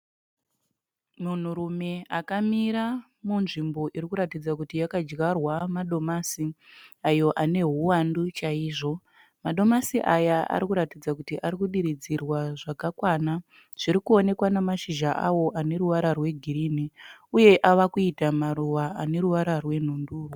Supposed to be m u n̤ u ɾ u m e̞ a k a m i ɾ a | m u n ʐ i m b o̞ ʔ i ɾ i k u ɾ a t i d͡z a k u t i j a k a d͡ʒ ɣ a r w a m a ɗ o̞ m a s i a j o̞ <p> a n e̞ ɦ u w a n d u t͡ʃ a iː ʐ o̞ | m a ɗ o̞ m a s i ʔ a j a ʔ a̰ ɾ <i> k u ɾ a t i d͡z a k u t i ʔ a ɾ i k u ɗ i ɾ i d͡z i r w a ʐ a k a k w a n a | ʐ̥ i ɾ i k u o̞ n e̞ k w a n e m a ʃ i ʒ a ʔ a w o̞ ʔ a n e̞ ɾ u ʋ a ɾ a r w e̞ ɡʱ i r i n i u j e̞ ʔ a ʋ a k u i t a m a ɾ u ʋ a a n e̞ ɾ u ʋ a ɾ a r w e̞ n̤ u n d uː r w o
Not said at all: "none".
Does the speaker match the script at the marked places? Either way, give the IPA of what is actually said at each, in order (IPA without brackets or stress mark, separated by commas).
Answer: ʔ, i